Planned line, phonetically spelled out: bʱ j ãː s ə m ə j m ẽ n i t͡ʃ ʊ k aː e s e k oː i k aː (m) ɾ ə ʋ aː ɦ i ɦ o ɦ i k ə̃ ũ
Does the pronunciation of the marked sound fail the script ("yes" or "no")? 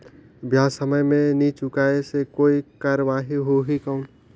yes